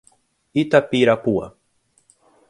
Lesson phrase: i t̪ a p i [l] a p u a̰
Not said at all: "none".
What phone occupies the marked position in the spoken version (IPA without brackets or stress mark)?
ɾ